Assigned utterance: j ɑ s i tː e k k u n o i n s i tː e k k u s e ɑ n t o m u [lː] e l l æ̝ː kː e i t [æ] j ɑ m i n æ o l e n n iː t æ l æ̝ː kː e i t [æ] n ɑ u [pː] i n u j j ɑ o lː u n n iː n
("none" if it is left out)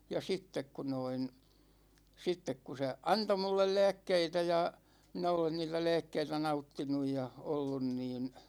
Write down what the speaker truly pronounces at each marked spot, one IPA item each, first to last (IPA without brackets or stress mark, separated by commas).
lː, æ, æ, tː